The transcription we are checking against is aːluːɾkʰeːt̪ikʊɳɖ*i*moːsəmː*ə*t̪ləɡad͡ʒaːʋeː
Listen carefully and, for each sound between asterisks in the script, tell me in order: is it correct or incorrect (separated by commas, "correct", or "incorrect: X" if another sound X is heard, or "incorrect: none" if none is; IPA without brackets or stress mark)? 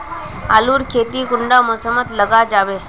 incorrect: a, correct